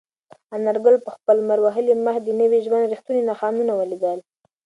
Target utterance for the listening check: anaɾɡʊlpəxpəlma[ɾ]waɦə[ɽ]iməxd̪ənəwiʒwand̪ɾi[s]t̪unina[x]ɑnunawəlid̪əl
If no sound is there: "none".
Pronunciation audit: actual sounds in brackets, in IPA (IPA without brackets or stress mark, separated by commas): ɾ, l, x, x